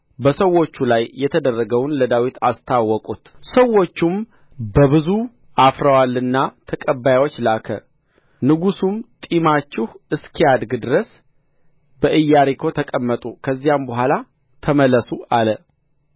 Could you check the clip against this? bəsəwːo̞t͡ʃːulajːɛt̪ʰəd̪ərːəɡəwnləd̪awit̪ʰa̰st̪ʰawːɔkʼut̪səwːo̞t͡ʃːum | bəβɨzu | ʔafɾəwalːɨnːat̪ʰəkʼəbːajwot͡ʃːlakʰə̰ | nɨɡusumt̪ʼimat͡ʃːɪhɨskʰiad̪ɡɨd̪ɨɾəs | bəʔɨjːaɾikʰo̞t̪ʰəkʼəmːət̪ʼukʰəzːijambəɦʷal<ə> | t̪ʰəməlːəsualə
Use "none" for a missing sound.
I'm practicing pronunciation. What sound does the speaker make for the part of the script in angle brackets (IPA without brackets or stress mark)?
a